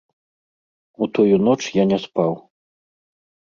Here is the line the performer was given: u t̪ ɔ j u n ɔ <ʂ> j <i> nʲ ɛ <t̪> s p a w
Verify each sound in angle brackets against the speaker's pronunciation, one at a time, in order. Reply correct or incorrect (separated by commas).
incorrect, incorrect, incorrect